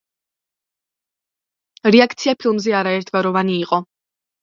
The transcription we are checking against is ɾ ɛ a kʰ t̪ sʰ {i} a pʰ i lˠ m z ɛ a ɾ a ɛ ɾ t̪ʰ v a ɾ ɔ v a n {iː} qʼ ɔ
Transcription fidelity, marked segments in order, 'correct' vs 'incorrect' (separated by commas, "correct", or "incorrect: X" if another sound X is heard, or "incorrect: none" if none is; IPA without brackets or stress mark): correct, correct